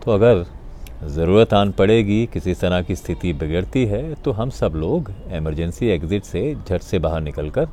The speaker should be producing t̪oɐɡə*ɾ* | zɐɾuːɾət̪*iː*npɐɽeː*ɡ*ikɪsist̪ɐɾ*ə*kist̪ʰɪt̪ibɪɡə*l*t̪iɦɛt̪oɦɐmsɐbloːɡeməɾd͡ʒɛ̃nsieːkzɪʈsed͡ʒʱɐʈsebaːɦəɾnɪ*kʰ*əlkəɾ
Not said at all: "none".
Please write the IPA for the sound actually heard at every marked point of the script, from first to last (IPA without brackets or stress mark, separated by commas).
ɾ, aː, ɡ, a, ɽ, k